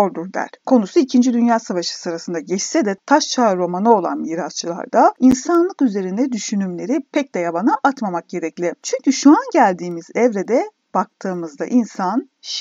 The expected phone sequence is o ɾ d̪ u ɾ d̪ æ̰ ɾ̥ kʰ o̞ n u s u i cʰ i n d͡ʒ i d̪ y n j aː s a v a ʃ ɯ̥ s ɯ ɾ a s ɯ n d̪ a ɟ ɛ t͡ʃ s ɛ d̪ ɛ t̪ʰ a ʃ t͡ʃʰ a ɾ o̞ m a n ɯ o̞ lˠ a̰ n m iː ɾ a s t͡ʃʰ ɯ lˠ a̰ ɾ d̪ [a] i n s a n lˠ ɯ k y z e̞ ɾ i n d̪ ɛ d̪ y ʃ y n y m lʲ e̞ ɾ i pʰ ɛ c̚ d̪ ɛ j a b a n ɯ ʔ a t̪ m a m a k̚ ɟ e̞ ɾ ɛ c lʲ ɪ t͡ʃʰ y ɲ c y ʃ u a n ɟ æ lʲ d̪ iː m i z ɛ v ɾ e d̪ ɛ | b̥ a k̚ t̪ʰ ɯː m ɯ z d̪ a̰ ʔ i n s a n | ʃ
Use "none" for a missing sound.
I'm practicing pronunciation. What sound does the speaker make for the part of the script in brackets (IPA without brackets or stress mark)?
a